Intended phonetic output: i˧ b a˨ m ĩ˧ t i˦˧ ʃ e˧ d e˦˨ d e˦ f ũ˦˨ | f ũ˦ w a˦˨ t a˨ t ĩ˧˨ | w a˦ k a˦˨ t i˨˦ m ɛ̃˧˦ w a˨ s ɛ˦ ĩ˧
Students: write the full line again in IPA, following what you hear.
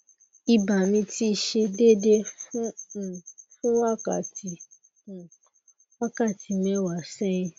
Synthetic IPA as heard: i˧ b a˨ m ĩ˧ t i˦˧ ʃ e˧ d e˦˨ d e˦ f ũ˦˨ | f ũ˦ w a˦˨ k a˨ t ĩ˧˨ | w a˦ k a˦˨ t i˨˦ m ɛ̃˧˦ w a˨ s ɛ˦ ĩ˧